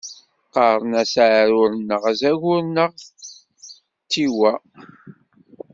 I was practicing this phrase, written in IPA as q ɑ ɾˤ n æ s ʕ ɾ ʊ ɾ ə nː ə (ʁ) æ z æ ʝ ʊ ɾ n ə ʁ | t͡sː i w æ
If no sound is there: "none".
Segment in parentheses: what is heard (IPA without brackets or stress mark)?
ʁ